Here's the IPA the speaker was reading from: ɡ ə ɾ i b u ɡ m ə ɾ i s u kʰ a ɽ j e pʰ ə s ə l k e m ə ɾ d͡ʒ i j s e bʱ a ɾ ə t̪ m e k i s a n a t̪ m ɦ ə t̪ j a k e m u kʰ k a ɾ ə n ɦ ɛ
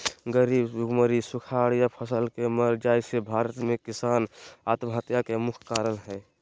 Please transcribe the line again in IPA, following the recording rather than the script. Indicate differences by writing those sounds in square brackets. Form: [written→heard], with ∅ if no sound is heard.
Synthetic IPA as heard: ɡ ə ɾ i b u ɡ m ə ɾ i s u kʰ a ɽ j [e→a] pʰ ə s ə l k e m ə ɾ d͡ʒ [i→a] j s e bʱ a ɾ ə t̪ m e k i s a n a t̪ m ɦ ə t̪ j a k e m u kʰ k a ɾ ə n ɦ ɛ